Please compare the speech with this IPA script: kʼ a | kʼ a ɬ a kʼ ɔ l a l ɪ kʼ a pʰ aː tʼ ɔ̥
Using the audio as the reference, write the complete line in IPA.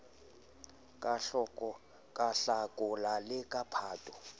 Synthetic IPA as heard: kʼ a | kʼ a ɬ a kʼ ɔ l a l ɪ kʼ a pʰ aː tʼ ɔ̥